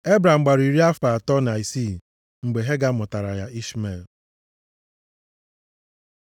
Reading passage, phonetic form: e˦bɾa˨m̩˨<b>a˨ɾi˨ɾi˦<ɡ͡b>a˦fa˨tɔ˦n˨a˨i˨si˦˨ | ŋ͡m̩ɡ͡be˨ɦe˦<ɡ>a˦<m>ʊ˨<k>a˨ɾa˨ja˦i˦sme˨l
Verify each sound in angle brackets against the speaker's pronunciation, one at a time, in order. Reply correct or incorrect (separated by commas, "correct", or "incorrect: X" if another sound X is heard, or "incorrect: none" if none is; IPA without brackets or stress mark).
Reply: incorrect: ɡ͡b, incorrect: none, correct, correct, incorrect: t